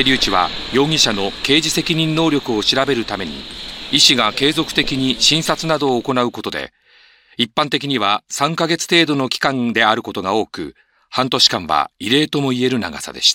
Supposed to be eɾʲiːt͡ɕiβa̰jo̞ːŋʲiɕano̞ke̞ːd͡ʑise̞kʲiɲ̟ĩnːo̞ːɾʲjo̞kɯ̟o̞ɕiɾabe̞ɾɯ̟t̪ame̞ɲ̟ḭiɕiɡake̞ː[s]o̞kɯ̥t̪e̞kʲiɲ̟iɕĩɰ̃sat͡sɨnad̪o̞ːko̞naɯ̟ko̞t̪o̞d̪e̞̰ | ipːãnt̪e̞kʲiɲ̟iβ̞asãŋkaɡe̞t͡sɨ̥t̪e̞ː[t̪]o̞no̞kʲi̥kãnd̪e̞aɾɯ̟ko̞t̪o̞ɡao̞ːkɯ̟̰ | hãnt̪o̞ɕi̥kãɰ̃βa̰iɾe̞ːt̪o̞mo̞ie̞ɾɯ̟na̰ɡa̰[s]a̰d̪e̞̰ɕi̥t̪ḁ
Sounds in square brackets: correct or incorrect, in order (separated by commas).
incorrect, incorrect, correct